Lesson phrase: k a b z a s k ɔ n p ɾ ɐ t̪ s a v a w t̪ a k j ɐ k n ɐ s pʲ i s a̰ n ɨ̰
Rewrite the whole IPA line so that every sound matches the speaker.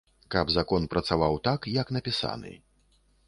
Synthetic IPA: k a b z a k ɔ n p ɾ ɐ t̪ s a v a w t̪ a k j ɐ k n ɐ pʲ i s a̰ n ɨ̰